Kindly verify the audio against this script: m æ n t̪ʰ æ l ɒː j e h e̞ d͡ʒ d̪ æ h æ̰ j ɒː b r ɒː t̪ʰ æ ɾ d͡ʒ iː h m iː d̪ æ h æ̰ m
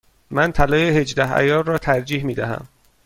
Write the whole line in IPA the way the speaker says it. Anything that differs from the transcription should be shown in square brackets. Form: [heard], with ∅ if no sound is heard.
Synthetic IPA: m æ n t̪ʰ æ l ɒː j e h e̞ d͡ʒ d̪ æ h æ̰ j ɒː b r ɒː t̪ʰ æ ɾ d͡ʒ iː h m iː d̪ æ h æ̰ m